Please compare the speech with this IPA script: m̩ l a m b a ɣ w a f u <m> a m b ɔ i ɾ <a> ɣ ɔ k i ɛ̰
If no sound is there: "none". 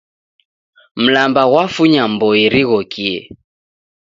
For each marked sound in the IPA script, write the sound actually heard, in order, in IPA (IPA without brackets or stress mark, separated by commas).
ɲ, i